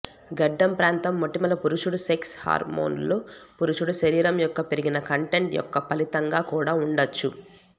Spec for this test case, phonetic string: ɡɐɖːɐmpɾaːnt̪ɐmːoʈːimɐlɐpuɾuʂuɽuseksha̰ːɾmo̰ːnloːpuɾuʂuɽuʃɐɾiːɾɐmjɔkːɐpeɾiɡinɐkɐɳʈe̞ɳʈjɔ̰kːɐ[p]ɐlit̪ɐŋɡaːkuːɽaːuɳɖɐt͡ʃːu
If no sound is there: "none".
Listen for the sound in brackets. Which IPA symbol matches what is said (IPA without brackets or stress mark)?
p